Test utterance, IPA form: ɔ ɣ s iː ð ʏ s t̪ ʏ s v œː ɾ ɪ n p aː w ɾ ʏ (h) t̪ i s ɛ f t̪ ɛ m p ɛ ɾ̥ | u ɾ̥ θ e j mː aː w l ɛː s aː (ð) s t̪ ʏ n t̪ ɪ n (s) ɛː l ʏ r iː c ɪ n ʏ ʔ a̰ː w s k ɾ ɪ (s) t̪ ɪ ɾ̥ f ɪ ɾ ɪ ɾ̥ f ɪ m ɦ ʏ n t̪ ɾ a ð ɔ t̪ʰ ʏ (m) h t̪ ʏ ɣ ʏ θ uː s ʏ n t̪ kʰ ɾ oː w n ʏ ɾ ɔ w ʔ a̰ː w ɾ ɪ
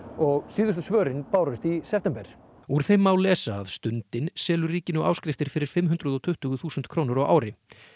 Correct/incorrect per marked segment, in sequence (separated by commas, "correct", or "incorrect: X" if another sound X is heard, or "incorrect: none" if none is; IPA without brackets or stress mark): incorrect: s, correct, correct, incorrect: f, incorrect: none